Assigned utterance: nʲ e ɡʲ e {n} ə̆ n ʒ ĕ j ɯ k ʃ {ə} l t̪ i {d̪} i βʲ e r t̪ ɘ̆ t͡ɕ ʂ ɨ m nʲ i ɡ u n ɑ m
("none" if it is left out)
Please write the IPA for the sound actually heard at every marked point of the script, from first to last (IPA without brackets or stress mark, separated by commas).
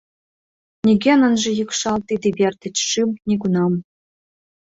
n, ɑ, d̪